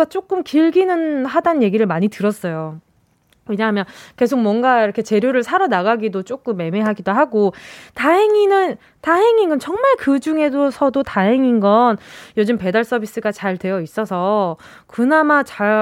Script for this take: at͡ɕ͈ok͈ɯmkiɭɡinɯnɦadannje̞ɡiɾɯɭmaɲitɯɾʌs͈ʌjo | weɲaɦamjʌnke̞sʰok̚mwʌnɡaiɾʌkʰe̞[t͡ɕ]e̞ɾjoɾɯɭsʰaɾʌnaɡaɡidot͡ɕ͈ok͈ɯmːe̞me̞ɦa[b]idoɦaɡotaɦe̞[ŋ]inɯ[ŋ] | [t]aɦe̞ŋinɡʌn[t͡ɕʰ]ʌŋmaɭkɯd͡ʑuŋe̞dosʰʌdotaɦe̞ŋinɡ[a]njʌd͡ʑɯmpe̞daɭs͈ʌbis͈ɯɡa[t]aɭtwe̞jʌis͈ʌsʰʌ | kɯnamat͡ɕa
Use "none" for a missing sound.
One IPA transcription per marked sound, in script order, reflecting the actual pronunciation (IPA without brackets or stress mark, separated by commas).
t͡ɕ, ɡ, ŋ, n, t, t͡ɕ, ʌ, t͡ɕ